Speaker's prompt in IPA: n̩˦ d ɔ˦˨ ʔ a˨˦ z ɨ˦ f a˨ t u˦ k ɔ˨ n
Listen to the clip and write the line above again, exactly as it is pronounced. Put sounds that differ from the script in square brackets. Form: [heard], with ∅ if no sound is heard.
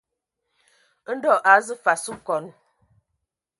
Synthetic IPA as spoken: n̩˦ d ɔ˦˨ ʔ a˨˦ z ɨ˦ f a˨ [s] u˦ k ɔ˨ n